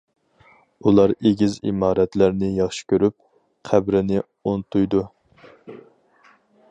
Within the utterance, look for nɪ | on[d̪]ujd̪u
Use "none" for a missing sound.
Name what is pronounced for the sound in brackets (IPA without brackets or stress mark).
t̪